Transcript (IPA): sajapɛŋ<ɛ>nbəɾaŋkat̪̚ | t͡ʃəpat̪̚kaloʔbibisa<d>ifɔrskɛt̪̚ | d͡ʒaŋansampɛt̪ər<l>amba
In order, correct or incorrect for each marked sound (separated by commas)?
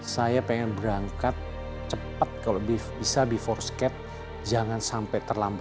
correct, incorrect, correct